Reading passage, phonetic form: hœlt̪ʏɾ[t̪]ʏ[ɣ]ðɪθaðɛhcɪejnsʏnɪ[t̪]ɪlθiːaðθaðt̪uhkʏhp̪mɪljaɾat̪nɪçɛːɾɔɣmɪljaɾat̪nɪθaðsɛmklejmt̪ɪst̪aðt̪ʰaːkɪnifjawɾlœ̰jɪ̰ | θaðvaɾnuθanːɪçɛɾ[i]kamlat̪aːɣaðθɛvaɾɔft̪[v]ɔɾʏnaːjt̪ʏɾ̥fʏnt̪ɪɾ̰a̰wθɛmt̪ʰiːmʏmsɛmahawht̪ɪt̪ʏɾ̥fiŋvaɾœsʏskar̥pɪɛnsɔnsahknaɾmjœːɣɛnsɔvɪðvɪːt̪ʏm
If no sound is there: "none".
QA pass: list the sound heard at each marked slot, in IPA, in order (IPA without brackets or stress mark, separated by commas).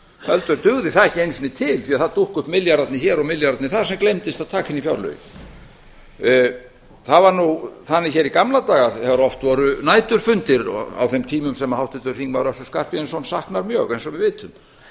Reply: t̪, ɣ, t̪ʰ, i, v